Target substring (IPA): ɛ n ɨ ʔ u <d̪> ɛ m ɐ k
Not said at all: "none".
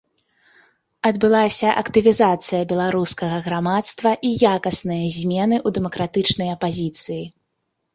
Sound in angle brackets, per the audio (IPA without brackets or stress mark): d̪